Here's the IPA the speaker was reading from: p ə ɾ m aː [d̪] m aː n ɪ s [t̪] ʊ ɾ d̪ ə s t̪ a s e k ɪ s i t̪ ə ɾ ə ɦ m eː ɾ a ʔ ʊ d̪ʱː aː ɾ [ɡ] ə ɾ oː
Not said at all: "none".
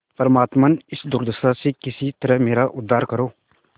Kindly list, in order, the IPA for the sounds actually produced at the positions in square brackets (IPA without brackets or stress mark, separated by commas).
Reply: t̪, d̪, k